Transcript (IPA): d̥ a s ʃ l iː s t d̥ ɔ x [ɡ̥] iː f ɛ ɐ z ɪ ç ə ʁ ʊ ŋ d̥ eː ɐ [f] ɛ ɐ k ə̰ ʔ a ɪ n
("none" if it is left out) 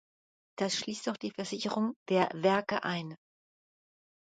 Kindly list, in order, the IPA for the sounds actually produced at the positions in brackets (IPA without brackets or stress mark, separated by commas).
d̥, v